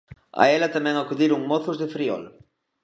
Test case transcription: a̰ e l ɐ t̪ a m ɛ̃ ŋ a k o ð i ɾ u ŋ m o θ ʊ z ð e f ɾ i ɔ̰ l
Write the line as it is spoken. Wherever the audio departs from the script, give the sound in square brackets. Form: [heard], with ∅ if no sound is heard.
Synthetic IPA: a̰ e l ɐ t̪ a m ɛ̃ ŋ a k [u] ð i ɾ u ŋ m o θ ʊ z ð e f ɾ i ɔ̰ l